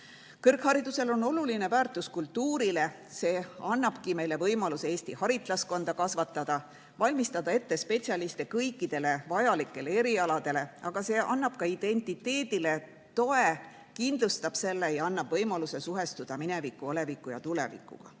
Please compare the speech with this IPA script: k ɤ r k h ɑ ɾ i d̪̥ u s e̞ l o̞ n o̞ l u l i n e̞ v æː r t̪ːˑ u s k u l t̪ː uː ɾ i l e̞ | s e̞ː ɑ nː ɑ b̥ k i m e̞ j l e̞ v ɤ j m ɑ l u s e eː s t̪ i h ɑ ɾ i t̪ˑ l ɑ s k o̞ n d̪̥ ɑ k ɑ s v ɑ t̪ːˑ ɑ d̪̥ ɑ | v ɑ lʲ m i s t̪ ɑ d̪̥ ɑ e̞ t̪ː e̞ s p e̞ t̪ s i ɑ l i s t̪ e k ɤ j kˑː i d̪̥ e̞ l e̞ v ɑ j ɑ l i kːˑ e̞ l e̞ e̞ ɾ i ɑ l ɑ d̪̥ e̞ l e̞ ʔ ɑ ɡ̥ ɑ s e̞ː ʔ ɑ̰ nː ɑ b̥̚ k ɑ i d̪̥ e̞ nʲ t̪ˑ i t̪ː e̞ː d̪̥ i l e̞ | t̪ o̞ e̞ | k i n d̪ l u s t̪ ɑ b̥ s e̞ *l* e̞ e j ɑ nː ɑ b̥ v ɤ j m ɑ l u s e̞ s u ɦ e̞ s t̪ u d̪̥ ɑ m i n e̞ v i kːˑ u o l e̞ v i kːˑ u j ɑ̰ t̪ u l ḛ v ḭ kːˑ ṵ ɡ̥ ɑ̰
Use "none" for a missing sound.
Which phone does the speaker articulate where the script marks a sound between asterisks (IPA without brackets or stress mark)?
lː